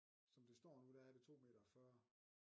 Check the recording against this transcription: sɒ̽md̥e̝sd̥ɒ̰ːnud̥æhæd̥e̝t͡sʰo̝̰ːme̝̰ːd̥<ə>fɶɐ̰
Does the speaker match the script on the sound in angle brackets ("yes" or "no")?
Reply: no